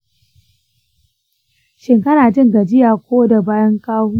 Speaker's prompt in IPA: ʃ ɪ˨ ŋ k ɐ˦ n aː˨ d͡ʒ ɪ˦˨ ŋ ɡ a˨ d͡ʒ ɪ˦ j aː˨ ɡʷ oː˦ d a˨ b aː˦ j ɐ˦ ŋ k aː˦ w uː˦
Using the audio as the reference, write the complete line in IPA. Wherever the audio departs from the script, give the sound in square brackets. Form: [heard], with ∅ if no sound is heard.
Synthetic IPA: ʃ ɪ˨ ŋ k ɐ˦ n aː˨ d͡ʒ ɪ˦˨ ŋ ɡ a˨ d͡ʒ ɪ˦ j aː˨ [kʷ] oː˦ d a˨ b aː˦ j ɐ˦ ŋ k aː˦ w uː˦